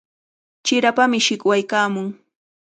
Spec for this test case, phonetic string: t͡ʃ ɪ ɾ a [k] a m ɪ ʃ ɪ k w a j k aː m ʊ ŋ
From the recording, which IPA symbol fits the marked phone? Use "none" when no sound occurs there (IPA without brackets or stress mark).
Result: p